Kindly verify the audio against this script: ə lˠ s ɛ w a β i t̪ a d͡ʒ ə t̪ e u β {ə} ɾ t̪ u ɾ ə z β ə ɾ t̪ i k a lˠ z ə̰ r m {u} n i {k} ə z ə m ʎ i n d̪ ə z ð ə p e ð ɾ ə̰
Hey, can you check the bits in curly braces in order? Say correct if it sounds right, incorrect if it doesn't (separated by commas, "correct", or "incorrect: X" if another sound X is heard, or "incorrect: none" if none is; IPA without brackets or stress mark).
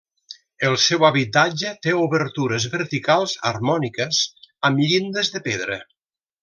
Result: correct, incorrect: ɔ, correct